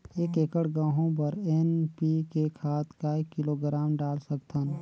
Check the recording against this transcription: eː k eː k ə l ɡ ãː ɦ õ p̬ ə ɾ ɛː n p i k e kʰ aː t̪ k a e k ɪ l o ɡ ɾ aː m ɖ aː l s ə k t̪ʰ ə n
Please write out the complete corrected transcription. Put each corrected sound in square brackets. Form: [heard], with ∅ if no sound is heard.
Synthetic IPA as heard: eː k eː k ə [ɽ] ɡ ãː ɦ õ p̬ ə ɾ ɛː n p i k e kʰ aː t̪ k a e k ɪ l o ɡ ɾ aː m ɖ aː l s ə k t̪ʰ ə n